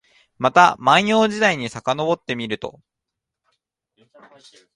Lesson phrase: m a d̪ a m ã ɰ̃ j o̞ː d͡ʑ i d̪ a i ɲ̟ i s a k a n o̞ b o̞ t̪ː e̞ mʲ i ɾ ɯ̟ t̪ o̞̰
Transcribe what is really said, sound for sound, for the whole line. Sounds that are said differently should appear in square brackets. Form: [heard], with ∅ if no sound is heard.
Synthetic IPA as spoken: m a [t̪] a m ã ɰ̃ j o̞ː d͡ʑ i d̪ a i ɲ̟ i s a k a n o̞ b o̞ t̪ː e̞ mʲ i ɾ ɯ̟ t̪ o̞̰

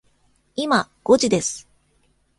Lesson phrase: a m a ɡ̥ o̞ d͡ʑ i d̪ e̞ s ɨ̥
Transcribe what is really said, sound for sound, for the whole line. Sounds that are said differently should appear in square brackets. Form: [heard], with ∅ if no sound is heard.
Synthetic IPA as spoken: [i] m a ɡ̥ o̞ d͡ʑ i d̪ e̞ s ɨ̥

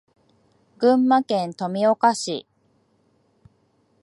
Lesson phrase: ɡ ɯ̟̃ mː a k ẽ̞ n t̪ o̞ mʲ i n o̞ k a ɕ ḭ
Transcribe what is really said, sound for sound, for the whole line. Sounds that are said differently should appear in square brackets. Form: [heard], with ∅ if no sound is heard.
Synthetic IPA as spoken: ɡ ɯ̟̃ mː a k ẽ̞ n t̪ o̞ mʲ i [∅] o̞ k a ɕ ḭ

